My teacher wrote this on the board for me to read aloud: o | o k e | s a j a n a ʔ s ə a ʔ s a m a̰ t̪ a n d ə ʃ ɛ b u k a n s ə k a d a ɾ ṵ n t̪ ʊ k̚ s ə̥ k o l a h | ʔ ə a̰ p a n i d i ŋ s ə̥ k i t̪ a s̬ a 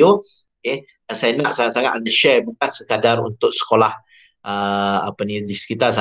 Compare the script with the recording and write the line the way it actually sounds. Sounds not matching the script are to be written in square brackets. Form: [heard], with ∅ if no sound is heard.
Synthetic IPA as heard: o | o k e | s a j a n a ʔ s [a] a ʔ s a [ŋ] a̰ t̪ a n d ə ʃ ɛ b u k a n s ə k a d a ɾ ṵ n t̪ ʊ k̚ s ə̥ k o l a h | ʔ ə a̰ p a n i d i [∅] s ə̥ k i t̪ a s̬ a

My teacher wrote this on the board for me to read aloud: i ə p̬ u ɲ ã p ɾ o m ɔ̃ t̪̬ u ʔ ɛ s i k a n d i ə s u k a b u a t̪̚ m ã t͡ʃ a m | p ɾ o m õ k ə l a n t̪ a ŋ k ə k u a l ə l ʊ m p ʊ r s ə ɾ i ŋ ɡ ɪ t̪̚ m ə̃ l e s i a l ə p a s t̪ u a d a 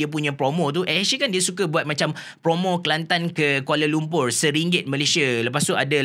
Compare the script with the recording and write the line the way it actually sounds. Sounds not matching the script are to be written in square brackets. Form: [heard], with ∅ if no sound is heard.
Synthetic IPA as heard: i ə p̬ u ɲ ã p ɾ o m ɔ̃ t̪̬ u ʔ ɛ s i k a n d i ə s u k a b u a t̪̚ m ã t͡ʃ a m | p ɾ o m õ k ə l a n t̪ a [n] k ə k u a l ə l [u] m p ʊ r s ə ɾ i ŋ ɡ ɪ t̪̚ m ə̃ l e s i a l ə p a s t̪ u a d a

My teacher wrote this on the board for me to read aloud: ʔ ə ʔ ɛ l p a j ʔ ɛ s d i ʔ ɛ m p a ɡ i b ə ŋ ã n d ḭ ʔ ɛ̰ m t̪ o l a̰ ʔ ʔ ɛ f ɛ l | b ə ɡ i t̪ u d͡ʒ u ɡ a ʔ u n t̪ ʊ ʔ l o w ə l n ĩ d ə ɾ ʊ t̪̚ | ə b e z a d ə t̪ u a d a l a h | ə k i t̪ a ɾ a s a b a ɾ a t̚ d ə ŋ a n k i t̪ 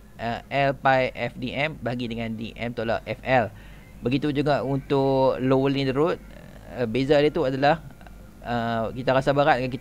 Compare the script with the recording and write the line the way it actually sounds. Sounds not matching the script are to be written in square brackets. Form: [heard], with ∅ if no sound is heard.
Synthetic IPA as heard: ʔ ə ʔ ɛ l p a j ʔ ɛ [f] d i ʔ ɛ m [b] a ɡ i [d] ə ŋ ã n d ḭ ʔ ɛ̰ m t̪ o l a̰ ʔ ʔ ɛ f ɛ l | b ə ɡ i t̪ u d͡ʒ u ɡ a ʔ u n t̪ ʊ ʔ l o w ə l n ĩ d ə ɾ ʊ t̪̚ | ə b e z a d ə t̪ u a d a l a h | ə k i t̪ a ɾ a s a b a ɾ a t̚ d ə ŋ a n k i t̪

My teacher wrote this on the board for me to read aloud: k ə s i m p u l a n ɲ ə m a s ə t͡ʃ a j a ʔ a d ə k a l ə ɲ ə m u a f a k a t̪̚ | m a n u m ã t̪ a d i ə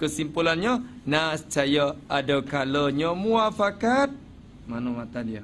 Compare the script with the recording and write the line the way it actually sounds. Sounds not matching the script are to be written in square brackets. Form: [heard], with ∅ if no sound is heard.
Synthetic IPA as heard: k ə s i m p u l a n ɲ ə [n] a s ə t͡ʃ a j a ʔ a d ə k a l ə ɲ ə m u a f a k a t̪̚ | m a n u m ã t̪ a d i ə

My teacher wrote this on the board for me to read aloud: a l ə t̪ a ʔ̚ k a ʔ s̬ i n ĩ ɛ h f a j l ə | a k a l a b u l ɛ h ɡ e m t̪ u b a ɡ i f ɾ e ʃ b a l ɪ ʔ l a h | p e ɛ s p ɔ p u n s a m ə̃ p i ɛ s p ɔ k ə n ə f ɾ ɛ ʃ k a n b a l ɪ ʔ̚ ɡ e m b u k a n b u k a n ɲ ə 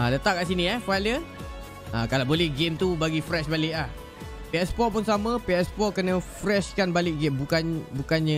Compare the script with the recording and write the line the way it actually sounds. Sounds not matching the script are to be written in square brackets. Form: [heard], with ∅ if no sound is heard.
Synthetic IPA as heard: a l ə t̪ a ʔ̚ k a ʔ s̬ i n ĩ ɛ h f a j l ə | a k a l a b [o] l ɛ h ɡ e m t̪ u b a ɡ i f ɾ [ɛ] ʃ b a l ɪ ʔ l a h | p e ɛ s p ɔ p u n s a m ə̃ p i ɛ s p ɔ k ə n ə f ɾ ɛ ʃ k a n b a l ɪ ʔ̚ ɡ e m b u k a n b u k a n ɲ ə

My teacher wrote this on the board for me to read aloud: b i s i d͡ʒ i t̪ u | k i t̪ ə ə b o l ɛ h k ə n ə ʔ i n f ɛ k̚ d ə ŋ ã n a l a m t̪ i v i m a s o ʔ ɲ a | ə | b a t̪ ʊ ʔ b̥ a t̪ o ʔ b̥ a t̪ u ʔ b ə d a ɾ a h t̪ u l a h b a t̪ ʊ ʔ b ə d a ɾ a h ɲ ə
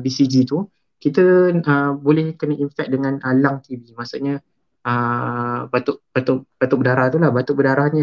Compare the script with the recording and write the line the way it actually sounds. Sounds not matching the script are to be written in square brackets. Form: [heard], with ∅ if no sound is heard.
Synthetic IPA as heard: b i s i d͡ʒ i t̪ u | k i t̪ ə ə b o l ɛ h k ə n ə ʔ i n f ɛ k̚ d ə ŋ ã n a l a [ŋ] t̪ i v i m a s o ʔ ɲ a | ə | b a t̪ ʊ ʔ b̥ a t̪ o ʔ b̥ a t̪ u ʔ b ə d a ɾ a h t̪ u l a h b a t̪ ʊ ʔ b ə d a ɾ a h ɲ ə

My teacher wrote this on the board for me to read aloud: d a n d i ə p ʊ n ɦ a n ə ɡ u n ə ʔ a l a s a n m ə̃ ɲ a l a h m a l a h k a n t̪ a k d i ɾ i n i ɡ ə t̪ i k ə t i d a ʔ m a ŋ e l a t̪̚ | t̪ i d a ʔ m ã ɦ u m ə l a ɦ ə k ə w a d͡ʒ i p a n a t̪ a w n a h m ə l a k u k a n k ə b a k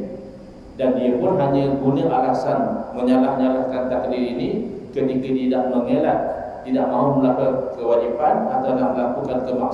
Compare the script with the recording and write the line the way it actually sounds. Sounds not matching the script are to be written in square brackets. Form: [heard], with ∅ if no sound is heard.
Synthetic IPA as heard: d a n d i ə p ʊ n ɦ a [ɲ] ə ɡ u n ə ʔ a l a s a n m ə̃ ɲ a l a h [ɲ] a l a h k a n t̪ a k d i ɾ i n i [k] ə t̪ i k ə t i d a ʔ m [ə] ŋ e l a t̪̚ | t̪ i d a ʔ m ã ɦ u m ə l a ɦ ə k ə w a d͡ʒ i p a n a t̪ a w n a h m ə l a k u k a n k ə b a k

